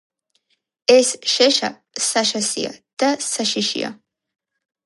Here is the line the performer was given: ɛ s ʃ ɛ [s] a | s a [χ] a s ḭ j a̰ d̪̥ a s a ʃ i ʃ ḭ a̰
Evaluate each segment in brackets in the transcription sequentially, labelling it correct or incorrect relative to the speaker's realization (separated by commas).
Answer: incorrect, incorrect